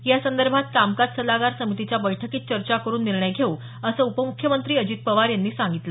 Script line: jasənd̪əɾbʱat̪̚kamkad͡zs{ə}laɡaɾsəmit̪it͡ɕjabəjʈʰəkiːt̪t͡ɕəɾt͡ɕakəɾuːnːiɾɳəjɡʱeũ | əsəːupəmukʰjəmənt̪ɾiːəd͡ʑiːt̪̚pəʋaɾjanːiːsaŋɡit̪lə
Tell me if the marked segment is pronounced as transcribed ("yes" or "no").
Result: yes